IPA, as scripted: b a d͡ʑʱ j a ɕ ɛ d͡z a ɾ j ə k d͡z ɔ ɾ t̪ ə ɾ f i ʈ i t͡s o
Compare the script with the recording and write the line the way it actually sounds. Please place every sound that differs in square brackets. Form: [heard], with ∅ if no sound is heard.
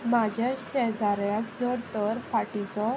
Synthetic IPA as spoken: [m] a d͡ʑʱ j a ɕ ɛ d͡z a ɾ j [a] k d͡z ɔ ɾ t̪ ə ɾ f [a] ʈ i t͡s [ɔ]